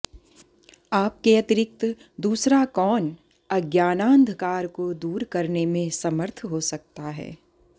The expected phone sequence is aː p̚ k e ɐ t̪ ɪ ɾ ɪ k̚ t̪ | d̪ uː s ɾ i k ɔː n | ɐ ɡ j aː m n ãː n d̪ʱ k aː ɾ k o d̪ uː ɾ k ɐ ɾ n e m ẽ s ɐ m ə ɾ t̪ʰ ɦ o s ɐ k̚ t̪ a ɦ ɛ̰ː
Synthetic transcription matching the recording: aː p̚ k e ɐ t̪ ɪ ɾ ɪ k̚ t̪ | d̪ uː s ɾ a k ɔː n | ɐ ɡ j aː n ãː n d̪ʱ k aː ɾ k o d̪ uː ɾ k ɐ ɾ n e m ẽ s ɐ m ə ɾ t̪ʰ ɦ o s ɐ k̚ t̪ a ɦ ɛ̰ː